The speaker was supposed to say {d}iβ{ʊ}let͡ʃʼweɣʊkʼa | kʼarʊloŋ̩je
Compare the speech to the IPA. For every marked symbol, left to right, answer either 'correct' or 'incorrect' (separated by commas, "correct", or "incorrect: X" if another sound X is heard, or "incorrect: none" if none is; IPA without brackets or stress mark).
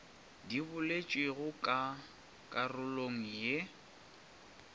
correct, correct